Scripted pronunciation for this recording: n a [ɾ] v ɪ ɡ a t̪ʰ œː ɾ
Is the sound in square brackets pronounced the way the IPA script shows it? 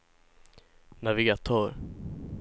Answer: no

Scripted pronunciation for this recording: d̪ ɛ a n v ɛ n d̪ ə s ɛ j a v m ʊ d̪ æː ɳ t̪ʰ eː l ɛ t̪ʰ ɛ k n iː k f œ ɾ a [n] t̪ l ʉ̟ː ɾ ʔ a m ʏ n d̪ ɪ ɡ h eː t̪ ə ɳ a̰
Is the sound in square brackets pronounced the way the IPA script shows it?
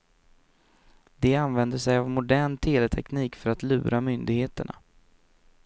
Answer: no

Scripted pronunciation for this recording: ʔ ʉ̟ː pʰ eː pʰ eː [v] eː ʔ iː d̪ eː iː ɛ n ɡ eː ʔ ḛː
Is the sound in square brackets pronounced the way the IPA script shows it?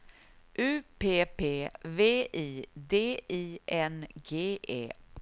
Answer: yes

